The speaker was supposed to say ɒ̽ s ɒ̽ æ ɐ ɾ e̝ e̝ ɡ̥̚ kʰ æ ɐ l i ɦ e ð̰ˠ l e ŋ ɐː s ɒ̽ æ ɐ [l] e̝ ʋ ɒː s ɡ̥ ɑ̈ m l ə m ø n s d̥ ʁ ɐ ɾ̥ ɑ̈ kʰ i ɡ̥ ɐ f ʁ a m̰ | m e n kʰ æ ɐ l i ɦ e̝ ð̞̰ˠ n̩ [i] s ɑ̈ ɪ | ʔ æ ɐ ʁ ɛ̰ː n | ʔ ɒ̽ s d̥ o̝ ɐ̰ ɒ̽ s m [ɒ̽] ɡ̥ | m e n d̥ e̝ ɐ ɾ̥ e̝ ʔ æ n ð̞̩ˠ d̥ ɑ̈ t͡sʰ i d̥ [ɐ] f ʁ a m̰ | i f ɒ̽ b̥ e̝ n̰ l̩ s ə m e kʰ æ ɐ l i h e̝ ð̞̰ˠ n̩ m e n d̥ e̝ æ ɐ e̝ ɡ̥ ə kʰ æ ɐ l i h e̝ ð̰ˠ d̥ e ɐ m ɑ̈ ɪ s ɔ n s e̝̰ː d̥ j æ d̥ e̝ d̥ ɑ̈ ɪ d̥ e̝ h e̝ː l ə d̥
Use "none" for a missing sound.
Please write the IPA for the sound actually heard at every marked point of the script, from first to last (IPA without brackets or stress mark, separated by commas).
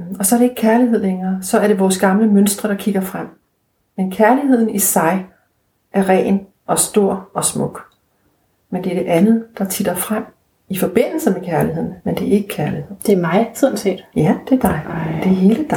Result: ɾ, i, ɔ̽, ɐ